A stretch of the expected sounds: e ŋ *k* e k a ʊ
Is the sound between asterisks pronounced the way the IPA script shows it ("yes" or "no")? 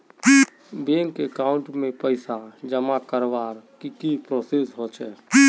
yes